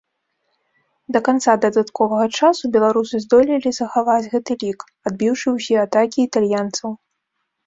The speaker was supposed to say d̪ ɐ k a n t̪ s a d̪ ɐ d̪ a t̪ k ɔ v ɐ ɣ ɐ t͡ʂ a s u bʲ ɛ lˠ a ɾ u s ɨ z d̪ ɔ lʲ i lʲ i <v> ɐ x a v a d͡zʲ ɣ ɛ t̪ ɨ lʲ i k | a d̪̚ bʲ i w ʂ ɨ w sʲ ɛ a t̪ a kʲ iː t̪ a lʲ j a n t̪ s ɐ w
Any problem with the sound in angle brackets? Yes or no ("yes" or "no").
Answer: yes